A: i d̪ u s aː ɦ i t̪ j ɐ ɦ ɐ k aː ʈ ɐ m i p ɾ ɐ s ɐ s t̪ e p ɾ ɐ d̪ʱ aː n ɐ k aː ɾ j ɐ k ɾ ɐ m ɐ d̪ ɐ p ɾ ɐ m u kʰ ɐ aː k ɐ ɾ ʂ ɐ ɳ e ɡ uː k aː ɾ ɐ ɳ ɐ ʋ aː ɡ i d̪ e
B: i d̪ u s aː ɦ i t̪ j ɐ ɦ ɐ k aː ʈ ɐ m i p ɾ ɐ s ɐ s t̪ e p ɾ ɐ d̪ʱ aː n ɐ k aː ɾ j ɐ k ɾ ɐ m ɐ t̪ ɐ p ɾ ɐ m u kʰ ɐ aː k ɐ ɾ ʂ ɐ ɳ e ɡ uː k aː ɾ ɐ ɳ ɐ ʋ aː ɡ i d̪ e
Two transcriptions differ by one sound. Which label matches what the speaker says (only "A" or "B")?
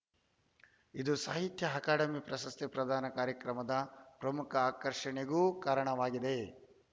A